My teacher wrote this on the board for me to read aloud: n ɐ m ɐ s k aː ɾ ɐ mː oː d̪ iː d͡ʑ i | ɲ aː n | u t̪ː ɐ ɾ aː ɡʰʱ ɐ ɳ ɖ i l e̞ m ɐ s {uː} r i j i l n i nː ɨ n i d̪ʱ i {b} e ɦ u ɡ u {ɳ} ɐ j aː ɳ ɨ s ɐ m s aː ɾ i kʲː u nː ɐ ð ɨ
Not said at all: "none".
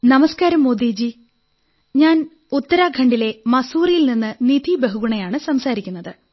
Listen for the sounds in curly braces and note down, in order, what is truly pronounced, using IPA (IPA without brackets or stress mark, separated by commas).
uː, b, ɳ